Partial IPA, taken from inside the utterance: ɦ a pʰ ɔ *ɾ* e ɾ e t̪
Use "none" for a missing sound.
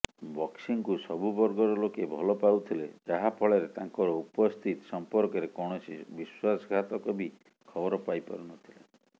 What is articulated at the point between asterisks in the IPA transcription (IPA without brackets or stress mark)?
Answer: ɭ